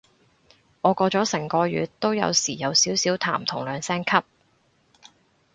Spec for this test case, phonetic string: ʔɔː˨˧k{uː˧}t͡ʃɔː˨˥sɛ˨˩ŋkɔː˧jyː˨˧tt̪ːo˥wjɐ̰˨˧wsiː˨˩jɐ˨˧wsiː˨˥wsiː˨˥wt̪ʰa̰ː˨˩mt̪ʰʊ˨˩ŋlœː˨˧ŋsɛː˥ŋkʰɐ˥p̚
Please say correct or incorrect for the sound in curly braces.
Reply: incorrect: ɔː˧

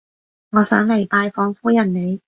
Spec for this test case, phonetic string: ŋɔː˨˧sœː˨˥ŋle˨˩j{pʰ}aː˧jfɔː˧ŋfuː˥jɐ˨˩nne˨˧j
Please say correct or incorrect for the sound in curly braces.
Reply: incorrect: p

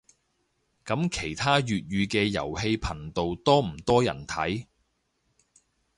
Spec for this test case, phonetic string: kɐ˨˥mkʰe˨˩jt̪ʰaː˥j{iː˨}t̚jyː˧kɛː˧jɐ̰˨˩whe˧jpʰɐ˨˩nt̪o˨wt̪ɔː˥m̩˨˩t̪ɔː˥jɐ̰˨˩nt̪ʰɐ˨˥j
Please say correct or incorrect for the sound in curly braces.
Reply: incorrect: yː˨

